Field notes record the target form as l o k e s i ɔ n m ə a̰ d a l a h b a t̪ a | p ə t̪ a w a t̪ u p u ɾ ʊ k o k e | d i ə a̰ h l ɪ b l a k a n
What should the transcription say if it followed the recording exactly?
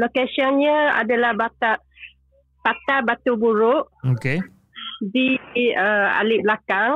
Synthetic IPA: l o k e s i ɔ n ɲ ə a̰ d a l a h b a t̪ a | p a t̪ a b a t̪ u b u ɾ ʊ ʔ o k e | d i ə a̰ l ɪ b l a k a ŋ